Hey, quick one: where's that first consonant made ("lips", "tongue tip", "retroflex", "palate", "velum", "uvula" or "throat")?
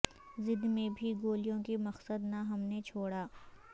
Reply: tongue tip